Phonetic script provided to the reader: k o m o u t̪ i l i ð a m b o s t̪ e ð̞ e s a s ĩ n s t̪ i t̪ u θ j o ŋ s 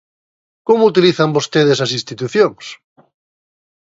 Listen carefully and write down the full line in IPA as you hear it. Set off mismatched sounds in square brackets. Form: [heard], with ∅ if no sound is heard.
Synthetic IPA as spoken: k o m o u t̪ i l i [θ] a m b o s t̪ e ð̞ e s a s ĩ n s t̪ i t̪ u θ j o ŋ s